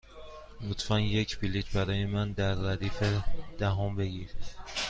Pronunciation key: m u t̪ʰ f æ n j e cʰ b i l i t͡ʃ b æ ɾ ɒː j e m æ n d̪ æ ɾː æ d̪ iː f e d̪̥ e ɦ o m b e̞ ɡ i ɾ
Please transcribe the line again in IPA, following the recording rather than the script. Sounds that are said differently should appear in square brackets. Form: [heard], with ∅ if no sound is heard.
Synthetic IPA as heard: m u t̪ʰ f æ n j e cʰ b i l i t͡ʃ b æ ɾ ɒː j e m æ n d̪ æ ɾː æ d̪ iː f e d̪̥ [æ] ɦ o m b e̞ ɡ i ɾ